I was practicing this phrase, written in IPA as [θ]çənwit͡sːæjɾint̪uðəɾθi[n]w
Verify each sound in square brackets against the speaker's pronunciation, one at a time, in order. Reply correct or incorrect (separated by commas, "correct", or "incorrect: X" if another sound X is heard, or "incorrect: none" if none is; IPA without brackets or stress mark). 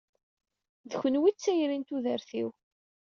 incorrect: ð, incorrect: none